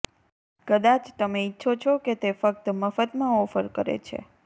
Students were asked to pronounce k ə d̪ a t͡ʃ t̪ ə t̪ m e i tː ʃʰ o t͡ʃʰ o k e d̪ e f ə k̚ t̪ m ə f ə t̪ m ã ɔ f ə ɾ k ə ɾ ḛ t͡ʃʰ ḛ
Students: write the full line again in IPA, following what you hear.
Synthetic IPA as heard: k ə d̪ a t͡ʃ t̪ ə m e i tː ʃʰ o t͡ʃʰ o k e t̪ e f ə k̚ t̪ m ə f ə t̪ m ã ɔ f ə ɾ k ə ɾ ḛ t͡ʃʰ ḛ